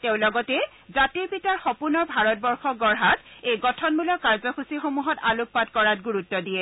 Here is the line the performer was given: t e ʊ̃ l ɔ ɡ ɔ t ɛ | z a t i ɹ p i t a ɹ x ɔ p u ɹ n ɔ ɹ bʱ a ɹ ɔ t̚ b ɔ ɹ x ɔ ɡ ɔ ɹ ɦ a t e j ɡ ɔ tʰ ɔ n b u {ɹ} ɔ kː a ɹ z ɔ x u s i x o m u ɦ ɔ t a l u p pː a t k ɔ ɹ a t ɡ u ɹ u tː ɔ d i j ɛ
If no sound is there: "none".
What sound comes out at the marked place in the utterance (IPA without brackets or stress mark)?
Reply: l